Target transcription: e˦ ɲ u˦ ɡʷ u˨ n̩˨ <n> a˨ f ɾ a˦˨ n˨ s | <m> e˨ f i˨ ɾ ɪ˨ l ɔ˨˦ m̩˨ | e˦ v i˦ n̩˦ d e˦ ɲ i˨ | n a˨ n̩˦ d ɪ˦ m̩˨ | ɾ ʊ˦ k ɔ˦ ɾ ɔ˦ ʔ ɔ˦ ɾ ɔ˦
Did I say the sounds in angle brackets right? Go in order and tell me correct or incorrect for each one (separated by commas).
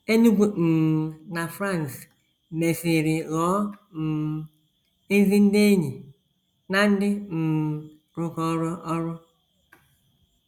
correct, correct